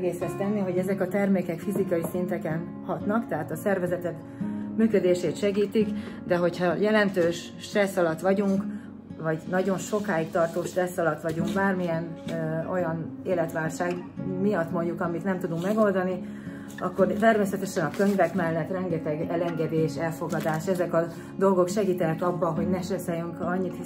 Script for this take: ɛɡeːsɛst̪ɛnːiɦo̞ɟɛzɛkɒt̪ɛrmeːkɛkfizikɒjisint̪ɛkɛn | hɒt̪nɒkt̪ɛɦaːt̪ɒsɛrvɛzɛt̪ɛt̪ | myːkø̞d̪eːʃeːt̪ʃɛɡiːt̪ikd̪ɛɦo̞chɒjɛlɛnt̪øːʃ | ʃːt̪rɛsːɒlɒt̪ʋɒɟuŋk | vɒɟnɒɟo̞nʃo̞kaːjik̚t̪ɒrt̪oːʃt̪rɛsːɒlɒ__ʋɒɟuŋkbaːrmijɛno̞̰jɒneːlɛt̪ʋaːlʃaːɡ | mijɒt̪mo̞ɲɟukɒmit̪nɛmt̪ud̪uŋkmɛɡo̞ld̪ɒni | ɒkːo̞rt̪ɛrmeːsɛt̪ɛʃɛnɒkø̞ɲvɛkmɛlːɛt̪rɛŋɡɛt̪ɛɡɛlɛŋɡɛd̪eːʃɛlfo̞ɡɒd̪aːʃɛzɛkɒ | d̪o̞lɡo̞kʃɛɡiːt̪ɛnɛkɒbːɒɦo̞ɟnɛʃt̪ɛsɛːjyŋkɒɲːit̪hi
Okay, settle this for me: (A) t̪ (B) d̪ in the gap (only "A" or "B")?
A